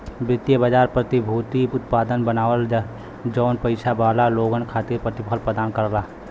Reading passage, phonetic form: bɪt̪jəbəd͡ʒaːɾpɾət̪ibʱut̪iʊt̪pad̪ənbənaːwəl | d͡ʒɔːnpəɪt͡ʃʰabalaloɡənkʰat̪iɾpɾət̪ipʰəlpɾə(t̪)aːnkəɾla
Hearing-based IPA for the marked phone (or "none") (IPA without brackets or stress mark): d̪